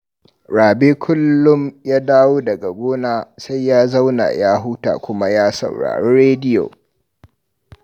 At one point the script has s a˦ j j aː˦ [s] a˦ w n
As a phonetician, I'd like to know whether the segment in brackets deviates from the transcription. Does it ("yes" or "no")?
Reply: yes